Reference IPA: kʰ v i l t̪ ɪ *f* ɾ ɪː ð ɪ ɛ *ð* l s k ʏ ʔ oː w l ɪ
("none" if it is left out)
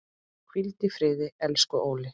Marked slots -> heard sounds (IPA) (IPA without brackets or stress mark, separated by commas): f, none